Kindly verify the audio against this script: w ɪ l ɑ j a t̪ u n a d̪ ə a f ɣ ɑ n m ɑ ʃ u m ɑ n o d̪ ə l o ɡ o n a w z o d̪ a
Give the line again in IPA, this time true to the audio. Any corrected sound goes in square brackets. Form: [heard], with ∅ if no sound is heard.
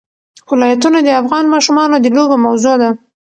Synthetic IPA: w ɪ l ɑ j a t̪ u n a d̪ ə a f ɣ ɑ n m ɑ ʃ u m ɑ n o d̪ ə l o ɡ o [m] a w z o d̪ a